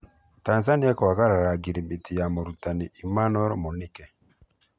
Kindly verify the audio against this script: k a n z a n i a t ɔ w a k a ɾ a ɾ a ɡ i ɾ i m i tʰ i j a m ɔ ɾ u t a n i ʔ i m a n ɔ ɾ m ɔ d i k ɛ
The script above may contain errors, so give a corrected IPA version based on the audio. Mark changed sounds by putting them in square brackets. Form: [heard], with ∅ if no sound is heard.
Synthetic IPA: [t] a n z a n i a [k] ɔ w a k a ɾ a ɾ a ɡ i ɾ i m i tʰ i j a m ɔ ɾ u t a n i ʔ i m a n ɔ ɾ m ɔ [n] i k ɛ

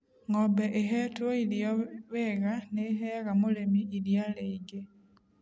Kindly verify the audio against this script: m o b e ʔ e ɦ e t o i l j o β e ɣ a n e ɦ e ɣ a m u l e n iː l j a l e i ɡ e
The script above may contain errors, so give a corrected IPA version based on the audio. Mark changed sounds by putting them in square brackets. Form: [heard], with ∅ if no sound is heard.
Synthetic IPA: [ŋ] o b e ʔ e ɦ e t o i l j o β e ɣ a n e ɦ e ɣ a m u l e [m] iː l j a l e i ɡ e

